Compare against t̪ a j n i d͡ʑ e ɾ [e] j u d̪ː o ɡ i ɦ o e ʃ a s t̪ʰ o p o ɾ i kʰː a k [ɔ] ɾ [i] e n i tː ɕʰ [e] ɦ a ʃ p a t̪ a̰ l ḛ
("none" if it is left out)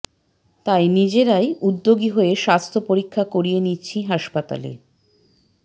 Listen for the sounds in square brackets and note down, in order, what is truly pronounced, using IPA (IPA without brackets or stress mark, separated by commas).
a, o, i, i